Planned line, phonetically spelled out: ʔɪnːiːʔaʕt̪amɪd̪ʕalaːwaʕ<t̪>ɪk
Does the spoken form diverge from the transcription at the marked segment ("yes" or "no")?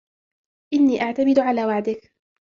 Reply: yes